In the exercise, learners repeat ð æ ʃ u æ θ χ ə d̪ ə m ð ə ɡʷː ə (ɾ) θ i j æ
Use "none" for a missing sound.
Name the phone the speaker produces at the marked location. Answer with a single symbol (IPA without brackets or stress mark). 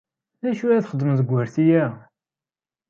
ɾ